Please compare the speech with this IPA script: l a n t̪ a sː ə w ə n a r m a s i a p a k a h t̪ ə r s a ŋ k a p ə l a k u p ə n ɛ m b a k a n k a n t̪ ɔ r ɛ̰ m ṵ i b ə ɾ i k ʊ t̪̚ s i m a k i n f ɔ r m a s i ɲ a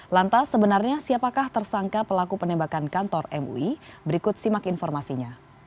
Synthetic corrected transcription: l a n t̪ a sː ə b ə n a r ɲ a s i a p a k a h t̪ ə r s a ŋ k a p ə l a k u p ə n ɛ m b a k a n k a n t̪ ɔ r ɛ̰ m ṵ i b ə ɾ i k ʊ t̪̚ s i m a k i n f ɔ r m a s i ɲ a